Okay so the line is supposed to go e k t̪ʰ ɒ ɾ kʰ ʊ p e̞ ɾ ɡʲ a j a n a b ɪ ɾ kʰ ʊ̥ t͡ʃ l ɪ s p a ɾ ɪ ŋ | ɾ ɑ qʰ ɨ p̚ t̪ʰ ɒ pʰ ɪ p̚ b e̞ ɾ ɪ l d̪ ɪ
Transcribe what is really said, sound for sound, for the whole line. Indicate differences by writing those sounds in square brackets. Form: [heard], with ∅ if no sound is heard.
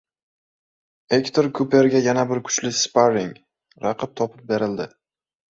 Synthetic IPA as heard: e k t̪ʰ [o] ɾ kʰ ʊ p e̞ ɾ ɡʲ a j a n a b ɪ ɾ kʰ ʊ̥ t͡ʃ l ɪ s p a ɾ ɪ ŋ | ɾ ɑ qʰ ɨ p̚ t̪ʰ ɒ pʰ ɪ p̚ b e̞ ɾ ɪ l d̪ ɪ